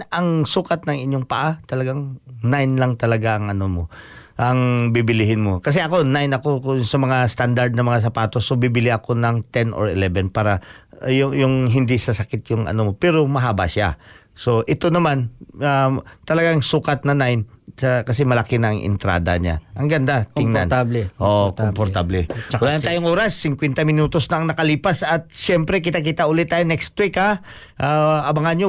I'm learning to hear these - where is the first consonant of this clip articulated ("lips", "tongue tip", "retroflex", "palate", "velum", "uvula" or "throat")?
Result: velum